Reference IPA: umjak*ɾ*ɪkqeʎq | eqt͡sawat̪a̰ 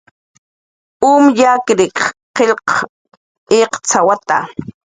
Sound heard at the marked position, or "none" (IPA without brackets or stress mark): ɾ